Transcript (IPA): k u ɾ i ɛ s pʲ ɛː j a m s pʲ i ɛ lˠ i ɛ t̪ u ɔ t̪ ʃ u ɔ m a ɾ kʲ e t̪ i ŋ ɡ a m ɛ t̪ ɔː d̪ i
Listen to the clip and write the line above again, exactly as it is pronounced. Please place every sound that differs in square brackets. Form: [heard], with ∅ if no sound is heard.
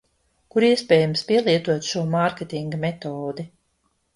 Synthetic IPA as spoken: k u ɾ i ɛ s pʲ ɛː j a m s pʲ i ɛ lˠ i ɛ t̪ u ɔ t̪ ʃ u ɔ m a ɾ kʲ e t̪ i ŋ ɡ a m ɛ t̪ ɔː d̪ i